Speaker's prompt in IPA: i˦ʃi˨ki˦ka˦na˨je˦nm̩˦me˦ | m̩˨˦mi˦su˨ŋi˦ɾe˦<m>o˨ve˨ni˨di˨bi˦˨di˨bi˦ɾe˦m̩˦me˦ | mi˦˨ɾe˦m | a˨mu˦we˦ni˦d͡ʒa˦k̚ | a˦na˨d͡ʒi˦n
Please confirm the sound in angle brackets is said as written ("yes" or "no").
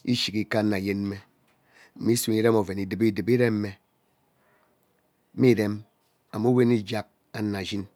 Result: yes